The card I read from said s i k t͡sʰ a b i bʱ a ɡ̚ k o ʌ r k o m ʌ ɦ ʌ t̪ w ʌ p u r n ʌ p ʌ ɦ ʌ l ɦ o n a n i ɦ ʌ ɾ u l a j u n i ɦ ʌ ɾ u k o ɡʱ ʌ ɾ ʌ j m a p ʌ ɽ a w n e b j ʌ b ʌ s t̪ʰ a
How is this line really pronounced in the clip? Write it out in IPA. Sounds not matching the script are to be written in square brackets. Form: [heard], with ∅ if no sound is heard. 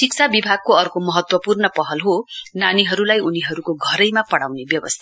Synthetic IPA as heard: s i k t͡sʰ a b i bʱ a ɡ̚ k o ʌ r k o m ʌ ɦ ʌ t̪ w ʌ p u r n ʌ p ʌ ɦ ʌ l ɦ o n a n i ɦ ʌ ɾ u l a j u n i ɦ ʌ ɾ u k o ɡʱ ʌ ɾ ʌ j m a p ʌ ɽ a w n e b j ʌ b ʌ s t̪ʰ a